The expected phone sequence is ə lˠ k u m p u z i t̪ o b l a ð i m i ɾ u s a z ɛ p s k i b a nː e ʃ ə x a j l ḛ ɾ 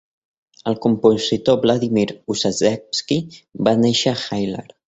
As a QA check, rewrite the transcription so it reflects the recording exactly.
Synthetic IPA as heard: ə lˠ k u m p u z i t̪ o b l a ð i m i ɾ u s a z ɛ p s k i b a n e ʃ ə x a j l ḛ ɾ